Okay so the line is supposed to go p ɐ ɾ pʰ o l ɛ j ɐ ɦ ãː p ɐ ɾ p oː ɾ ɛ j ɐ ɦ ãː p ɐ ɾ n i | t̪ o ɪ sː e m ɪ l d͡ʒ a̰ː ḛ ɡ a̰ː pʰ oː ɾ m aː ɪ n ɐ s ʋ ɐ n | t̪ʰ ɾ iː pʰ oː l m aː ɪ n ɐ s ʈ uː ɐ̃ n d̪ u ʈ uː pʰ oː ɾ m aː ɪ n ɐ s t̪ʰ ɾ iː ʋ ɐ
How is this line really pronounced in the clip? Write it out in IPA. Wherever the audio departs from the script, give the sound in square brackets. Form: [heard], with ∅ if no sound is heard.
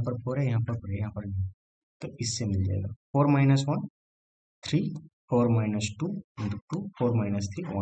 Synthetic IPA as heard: p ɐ ɾ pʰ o [ɾ] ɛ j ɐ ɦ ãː p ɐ ɾ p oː ɾ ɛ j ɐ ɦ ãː p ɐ ɾ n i | t̪ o ɪ sː e m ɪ l d͡ʒ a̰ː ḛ ɡ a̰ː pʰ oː ɾ m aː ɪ n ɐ s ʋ ɐ n | t̪ʰ ɾ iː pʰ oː [ɾ] m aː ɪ n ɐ s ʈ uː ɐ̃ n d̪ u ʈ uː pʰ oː ɾ m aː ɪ n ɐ s t̪ʰ ɾ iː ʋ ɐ